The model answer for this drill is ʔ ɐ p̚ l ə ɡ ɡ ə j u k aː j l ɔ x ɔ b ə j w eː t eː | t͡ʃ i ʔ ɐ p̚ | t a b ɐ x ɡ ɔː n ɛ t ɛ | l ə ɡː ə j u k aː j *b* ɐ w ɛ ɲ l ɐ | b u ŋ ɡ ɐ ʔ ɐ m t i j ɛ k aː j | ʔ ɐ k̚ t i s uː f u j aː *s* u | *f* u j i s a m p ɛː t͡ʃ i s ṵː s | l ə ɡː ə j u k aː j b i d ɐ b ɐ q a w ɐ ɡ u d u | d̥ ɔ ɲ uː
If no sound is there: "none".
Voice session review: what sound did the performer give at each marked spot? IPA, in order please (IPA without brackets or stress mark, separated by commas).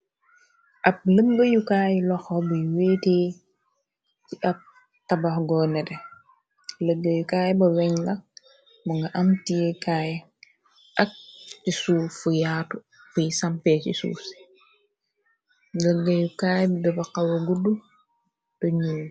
b, t, f